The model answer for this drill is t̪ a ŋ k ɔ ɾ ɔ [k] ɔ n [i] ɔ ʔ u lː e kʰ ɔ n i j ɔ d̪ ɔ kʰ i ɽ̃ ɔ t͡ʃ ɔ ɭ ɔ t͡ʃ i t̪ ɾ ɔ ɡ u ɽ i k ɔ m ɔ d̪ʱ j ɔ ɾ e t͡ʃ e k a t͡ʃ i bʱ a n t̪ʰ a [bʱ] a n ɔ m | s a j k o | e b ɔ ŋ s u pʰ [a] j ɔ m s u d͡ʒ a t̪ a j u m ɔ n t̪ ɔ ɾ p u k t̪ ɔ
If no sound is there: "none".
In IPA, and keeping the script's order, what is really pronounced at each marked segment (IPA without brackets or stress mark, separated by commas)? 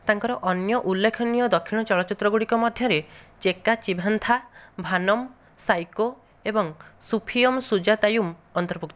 ʔ, j, bʱ, i